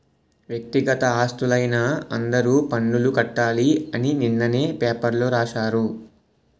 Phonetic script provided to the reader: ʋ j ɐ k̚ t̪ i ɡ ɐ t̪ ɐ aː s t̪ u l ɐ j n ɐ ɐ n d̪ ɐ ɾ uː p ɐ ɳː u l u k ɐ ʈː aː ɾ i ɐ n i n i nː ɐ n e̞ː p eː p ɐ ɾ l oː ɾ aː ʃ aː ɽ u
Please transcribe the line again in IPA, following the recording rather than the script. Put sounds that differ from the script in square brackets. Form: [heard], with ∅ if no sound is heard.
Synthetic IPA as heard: ʋ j ɐ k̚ t̪ i ɡ ɐ t̪ ɐ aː s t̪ u l ɐ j n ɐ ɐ n d̪ ɐ ɾ uː p ɐ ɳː u l u k ɐ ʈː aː [l] i ɐ n i n i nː ɐ n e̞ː p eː p ɐ ɾ l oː ɾ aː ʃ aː [ɾ] u